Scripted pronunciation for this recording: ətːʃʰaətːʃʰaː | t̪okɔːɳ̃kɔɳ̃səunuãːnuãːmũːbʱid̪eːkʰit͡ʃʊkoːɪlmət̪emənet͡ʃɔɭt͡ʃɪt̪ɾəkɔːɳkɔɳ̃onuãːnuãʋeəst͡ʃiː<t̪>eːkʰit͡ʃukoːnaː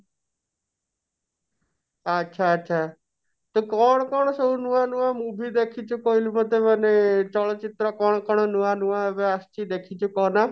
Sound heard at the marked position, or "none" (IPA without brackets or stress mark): d̪